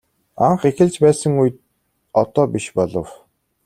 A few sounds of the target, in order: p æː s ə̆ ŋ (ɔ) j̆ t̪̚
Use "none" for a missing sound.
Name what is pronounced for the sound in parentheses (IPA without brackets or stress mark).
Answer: u